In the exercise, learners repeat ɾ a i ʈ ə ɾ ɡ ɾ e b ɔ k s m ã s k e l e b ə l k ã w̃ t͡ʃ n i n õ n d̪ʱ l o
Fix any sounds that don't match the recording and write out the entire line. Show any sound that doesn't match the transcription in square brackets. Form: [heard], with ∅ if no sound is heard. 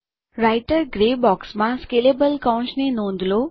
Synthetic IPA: ɾ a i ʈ ə ɾ ɡ ɾ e b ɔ k s m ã s k e l e b ə l k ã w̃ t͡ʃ n [e] n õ n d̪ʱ l o

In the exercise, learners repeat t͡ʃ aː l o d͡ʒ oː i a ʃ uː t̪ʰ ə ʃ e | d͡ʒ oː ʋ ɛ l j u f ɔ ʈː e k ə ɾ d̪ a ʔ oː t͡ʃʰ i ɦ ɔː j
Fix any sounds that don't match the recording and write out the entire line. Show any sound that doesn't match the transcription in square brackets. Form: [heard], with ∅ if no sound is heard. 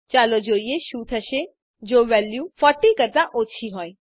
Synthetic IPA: t͡ʃ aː l o d͡ʒ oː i [e] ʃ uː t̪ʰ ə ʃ e | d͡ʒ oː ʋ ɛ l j u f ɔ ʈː [i] k ə ɾ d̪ a ʔ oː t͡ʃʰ i ɦ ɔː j

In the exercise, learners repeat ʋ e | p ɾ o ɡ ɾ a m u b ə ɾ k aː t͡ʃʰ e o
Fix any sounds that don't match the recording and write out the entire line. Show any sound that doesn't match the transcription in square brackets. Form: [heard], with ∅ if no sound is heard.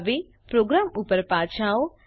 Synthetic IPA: ʋ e | p ɾ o ɡ ɾ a m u [p] ə ɾ [p] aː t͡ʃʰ [a] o

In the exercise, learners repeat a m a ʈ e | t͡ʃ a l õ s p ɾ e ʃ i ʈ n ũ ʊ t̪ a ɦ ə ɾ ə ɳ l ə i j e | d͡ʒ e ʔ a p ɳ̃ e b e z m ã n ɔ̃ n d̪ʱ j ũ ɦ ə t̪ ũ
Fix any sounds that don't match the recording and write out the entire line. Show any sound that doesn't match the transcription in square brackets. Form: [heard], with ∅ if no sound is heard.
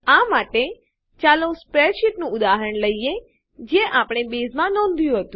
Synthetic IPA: a m a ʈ e | t͡ʃ a l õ s p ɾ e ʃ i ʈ n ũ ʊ [d̪] a ɦ ə ɾ ə ɳ l ə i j e | d͡ʒ e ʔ a p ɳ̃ e b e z m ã n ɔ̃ n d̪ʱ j ũ ɦ ə t̪ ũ

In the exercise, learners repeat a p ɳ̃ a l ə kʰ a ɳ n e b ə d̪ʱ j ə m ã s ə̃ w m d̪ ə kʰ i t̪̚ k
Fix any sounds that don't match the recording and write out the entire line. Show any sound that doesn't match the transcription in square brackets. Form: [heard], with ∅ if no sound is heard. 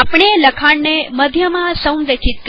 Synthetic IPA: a p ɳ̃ [e] l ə kʰ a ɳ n e [m] ə d̪ʱ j ə m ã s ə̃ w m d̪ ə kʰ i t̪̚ k

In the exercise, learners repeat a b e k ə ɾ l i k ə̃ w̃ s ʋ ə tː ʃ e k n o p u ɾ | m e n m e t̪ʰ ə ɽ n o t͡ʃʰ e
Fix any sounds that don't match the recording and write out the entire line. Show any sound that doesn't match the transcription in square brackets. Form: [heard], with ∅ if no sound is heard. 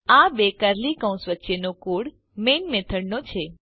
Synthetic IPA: a b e k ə ɾ l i k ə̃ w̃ s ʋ ə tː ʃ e [∅] n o [k] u [ɽ] | m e n m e t̪ʰ ə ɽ n o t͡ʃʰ e

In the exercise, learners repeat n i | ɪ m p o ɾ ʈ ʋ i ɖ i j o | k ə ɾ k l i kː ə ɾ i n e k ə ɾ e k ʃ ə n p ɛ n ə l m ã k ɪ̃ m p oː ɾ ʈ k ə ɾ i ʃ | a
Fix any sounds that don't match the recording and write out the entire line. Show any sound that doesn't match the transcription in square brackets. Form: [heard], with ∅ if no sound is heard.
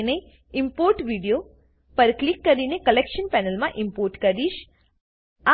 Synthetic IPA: n [e] | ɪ m p o ɾ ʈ ʋ i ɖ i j o | [p] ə ɾ k l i kː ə ɾ i n e k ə [l] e k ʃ ə n p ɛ n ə l m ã [ʔ] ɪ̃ m p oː ɾ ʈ k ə ɾ i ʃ | a

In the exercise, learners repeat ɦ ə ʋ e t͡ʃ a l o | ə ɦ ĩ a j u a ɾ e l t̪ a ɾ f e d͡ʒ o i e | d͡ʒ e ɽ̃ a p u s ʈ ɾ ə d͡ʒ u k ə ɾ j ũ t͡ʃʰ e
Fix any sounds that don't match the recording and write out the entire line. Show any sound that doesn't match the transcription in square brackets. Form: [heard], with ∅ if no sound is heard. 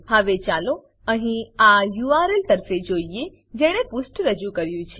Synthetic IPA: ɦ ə ʋ e t͡ʃ a l o | ə ɦ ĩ a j u a ɾ e l t̪ [ə] ɾ f e d͡ʒ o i e | d͡ʒ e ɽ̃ [e] p u s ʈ ɾ ə d͡ʒ u k ə ɾ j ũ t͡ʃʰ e

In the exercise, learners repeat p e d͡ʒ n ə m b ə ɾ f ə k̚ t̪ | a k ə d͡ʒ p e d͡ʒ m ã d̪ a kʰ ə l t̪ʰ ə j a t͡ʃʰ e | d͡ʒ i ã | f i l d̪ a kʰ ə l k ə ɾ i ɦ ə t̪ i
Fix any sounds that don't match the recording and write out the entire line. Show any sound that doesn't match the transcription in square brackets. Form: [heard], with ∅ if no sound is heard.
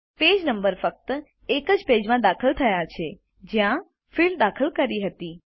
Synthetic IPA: p e d͡ʒ n ə m b ə ɾ f ə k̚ t̪ | [e] k ə d͡ʒ p e d͡ʒ m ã d̪ a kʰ ə l t̪ʰ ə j a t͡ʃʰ e | d͡ʒ [j] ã | f i l d̪ a kʰ ə l k ə ɾ i ɦ ə t̪ i

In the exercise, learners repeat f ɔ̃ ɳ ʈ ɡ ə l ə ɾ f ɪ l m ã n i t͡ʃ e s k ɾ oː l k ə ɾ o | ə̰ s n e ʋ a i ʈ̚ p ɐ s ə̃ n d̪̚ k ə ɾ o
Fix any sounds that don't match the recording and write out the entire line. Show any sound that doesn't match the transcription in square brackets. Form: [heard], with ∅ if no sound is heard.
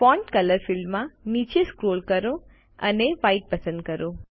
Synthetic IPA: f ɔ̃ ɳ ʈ [k] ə l ə ɾ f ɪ l m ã n i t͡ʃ e s k ɾ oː l k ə ɾ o | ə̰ [∅] n e ʋ a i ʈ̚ p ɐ s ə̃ n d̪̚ k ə ɾ o

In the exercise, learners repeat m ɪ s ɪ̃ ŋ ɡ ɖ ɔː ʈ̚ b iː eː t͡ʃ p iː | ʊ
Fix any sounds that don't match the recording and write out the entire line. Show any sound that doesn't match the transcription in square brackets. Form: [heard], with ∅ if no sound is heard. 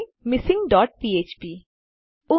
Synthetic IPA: m ɪ s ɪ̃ ŋ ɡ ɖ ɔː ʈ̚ [p] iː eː t͡ʃ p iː | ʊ

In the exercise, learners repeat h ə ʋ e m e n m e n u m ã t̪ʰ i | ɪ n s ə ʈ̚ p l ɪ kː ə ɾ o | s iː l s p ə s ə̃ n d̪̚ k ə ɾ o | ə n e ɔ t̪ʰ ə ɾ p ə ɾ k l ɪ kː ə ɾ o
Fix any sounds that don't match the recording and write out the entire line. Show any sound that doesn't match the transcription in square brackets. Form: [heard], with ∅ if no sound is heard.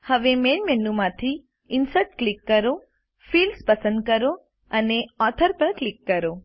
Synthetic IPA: h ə ʋ e m e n m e n u m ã t̪ʰ i | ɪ n s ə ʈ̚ [k] l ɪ kː ə ɾ o | [f] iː l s p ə s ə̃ n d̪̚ k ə ɾ o | ə n e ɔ t̪ʰ ə ɾ p ə ɾ k l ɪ kː ə ɾ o

